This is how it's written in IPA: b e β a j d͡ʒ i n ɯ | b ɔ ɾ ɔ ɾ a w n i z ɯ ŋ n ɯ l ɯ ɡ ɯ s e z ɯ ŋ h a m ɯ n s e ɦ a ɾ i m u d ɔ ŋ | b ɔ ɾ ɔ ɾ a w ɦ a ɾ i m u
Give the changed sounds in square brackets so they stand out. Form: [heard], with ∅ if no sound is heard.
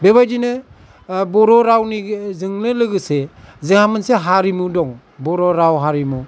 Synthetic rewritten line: b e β a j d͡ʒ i n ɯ | b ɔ ɾ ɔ ɾ a w n i z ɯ ŋ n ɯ l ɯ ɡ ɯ s e z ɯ ŋ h a m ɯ n s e ɦ a ɾ i m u d ɔ ŋ | b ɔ ɾ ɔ ɾ a w ɦ a ɾ i m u

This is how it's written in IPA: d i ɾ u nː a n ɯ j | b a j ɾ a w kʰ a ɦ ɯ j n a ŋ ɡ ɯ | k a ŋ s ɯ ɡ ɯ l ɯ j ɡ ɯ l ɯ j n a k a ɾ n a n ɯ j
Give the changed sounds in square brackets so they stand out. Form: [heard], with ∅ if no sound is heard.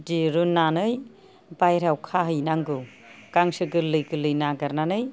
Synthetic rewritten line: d i ɾ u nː a n ɯ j | b a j ɾ a w kʰ a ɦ ɯ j n a ŋ ɡ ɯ | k a ŋ s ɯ ɡ ɯ l ɯ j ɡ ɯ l ɯ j n a [ɡ] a ɾ n a n ɯ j

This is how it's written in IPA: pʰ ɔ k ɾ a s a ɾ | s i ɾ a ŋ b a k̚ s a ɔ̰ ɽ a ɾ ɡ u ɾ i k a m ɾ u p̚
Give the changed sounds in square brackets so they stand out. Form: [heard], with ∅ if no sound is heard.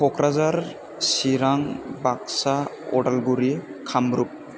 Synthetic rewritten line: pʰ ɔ k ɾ a [z] a ɾ | s i ɾ a ŋ b a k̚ s a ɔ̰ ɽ a [l] ɡ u ɾ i [kʰ] a m ɾ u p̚

